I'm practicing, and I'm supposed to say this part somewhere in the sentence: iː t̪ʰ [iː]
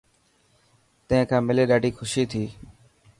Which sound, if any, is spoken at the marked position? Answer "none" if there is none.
iː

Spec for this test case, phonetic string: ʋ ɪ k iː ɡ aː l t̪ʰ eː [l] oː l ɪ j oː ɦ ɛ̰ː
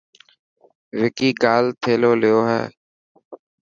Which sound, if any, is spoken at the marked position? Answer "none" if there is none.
l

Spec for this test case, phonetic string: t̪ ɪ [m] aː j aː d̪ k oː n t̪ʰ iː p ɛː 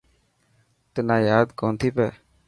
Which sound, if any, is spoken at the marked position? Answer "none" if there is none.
n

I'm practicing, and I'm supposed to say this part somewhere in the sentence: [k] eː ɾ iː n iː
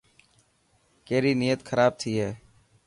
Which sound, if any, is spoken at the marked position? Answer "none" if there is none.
k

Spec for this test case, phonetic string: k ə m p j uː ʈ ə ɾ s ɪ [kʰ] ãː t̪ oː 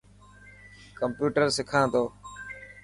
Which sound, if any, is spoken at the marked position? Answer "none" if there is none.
kʰ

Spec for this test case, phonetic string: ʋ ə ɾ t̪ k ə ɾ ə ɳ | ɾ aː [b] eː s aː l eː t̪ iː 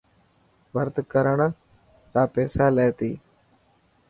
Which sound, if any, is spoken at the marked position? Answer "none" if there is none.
p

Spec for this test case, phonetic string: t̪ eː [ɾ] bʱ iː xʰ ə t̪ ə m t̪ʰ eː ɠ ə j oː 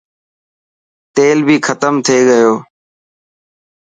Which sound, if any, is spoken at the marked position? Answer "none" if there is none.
l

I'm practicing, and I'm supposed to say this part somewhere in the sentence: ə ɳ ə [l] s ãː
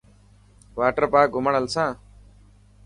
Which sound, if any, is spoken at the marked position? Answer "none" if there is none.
l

